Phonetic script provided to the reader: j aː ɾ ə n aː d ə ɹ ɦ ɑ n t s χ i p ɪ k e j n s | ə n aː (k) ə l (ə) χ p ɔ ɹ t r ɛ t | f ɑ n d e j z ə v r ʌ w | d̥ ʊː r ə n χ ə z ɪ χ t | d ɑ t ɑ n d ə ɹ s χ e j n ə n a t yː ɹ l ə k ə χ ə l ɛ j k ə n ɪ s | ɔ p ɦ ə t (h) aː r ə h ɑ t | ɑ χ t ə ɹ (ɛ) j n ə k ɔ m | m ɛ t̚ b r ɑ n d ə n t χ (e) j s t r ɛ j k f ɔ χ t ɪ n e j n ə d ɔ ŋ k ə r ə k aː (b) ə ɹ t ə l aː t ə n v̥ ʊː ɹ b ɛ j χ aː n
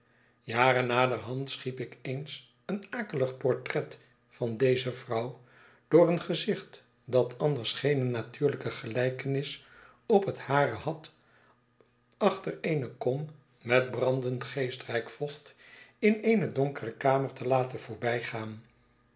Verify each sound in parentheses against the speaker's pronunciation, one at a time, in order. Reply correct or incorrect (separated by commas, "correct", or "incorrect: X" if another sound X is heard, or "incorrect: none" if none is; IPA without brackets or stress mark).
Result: correct, correct, correct, incorrect: e, correct, incorrect: m